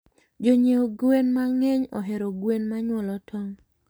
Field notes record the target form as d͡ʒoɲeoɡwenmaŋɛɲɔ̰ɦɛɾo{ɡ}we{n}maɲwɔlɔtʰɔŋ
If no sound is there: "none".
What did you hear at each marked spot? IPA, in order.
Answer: ɡ, n

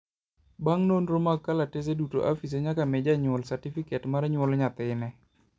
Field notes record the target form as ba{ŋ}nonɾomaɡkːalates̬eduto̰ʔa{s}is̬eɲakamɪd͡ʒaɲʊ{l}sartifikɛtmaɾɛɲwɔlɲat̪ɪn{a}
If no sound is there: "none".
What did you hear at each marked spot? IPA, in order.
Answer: ŋ, f, l, ɛ

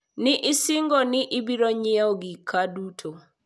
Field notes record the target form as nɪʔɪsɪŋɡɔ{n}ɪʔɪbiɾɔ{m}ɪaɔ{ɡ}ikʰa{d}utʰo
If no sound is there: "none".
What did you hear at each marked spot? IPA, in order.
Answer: n, ɲ, ɡ, d

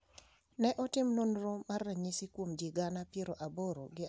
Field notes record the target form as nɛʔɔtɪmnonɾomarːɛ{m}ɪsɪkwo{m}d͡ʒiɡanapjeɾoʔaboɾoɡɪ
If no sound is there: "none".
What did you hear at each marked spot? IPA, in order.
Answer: ɲ, m

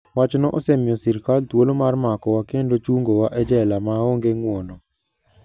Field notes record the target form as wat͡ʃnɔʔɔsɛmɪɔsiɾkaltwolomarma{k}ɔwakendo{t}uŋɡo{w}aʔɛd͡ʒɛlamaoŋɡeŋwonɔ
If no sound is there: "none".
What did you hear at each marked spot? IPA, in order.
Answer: k, t͡ʃ, w

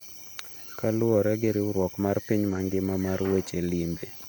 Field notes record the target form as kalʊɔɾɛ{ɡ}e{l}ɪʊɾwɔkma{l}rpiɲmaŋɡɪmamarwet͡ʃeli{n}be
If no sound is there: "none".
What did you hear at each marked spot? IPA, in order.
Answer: ɡ, ɾ, none, m

